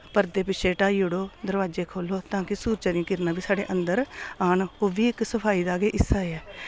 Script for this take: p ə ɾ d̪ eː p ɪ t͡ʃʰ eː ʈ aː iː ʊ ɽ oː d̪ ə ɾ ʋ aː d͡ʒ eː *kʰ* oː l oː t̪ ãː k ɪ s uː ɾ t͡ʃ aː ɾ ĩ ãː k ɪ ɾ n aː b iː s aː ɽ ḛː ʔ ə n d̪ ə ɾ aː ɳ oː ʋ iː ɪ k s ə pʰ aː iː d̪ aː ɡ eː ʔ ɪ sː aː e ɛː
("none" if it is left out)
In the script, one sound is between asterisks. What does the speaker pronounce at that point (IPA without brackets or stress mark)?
kʰ